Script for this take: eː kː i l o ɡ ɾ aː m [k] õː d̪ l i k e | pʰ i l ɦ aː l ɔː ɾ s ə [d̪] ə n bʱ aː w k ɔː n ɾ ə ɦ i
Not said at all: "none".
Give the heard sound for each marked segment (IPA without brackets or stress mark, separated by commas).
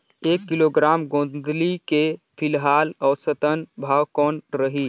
ɡ, t̪